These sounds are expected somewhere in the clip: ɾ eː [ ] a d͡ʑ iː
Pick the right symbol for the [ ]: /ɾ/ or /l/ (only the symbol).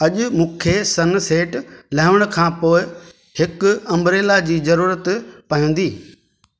l